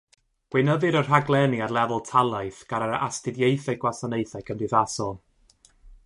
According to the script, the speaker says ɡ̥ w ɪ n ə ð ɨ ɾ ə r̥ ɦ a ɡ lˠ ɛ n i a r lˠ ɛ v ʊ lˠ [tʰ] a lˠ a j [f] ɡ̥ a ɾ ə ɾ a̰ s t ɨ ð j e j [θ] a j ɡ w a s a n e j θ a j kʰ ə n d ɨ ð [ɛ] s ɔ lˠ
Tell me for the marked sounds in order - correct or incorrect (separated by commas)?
correct, incorrect, correct, incorrect